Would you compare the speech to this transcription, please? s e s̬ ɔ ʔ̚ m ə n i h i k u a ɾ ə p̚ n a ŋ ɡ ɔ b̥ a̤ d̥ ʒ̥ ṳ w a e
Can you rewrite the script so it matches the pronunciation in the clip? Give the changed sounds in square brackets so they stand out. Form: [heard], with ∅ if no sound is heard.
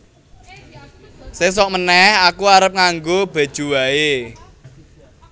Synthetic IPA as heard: s e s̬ ɔ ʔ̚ m ə n [ɛ] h [a] k u a ɾ ə p̚ [ŋ] a ŋ ɡ [o] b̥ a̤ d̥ ʒ̥ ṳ w a e